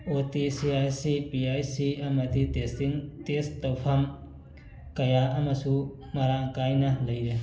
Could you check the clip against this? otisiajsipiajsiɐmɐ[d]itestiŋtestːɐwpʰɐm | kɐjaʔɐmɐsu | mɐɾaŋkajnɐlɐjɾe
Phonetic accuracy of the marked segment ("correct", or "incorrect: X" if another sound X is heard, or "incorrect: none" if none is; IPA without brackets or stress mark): correct